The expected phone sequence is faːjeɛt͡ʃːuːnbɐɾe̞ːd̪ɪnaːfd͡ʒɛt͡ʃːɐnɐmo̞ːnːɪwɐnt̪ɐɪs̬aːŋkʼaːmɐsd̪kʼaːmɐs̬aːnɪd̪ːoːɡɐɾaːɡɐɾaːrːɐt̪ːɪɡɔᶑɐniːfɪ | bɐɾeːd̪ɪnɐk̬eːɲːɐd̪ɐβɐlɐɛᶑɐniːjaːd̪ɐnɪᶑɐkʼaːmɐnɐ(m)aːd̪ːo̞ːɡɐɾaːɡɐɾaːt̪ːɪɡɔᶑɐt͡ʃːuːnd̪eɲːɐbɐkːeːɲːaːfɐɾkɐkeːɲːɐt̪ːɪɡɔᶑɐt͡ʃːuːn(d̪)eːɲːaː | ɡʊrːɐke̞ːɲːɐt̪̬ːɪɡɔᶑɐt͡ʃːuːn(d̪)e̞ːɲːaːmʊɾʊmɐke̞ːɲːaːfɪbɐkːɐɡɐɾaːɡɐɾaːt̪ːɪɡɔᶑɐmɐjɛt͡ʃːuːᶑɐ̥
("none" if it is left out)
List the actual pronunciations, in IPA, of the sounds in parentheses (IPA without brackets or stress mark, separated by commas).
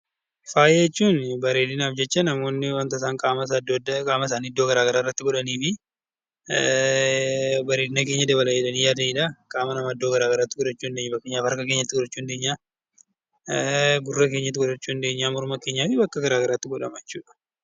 m, d̪, d̪